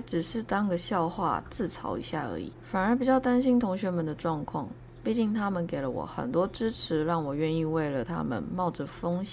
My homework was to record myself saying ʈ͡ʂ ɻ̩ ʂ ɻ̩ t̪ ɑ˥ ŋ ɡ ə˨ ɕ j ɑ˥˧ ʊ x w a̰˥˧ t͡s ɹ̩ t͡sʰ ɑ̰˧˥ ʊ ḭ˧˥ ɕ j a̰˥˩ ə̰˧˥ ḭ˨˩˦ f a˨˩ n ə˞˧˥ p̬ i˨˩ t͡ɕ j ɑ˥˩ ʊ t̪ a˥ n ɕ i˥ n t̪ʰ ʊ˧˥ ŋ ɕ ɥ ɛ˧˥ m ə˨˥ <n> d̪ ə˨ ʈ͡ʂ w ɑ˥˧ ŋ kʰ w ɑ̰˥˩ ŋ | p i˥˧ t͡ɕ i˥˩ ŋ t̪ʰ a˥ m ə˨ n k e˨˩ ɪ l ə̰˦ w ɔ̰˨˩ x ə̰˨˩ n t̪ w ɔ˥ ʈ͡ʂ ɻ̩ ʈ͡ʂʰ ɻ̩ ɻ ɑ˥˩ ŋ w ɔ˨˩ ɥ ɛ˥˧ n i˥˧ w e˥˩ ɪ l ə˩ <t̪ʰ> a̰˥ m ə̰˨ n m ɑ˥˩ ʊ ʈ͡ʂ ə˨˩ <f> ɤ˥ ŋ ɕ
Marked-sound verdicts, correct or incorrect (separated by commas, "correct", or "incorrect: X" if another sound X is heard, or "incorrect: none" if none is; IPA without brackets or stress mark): correct, correct, correct